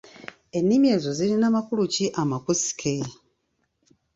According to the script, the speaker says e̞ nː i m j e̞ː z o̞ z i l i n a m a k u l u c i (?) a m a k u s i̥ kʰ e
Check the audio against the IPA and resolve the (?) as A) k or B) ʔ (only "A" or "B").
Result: B